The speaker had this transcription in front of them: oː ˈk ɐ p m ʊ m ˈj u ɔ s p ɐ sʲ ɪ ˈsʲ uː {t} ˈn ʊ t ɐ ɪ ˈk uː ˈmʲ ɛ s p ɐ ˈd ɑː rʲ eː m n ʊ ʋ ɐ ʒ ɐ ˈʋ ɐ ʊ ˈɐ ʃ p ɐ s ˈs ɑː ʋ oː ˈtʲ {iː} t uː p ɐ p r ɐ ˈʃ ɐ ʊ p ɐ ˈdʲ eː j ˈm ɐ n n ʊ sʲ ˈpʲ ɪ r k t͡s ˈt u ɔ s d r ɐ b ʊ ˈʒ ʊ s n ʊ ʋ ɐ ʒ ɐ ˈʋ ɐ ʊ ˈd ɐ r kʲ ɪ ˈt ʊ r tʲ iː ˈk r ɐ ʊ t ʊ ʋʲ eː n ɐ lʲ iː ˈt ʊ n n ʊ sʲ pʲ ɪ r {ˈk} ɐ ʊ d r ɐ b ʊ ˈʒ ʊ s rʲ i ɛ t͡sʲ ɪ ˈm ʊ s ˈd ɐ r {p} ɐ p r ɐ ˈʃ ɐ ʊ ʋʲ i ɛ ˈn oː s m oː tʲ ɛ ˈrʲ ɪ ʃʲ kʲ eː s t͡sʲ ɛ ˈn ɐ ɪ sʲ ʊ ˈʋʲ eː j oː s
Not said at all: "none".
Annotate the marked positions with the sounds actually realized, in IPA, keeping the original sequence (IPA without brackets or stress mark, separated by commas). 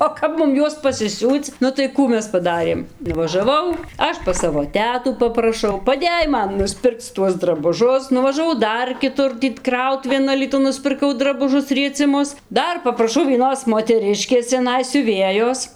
t͡s, æː, k, p